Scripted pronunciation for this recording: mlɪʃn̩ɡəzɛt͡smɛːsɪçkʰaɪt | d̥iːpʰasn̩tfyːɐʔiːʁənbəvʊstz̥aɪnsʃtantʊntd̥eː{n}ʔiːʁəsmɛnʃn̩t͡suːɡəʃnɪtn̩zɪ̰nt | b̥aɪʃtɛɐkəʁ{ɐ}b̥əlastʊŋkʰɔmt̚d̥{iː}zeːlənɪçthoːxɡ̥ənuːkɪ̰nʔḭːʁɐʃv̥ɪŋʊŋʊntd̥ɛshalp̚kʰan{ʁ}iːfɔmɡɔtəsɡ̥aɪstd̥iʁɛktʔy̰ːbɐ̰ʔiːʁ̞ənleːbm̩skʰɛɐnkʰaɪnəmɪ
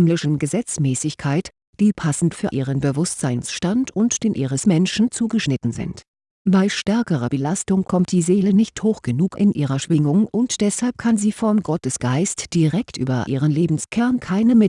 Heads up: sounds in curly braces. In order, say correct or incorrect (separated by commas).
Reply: correct, correct, correct, incorrect